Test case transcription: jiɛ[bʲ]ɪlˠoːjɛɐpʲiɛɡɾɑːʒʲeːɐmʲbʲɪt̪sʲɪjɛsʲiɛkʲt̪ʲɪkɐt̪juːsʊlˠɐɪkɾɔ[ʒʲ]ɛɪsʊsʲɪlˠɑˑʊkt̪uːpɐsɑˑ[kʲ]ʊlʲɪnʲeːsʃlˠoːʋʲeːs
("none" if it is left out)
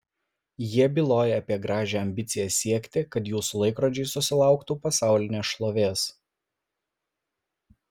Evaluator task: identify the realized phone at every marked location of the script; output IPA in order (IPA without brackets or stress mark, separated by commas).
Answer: bʲ, d͡ʒʲ, none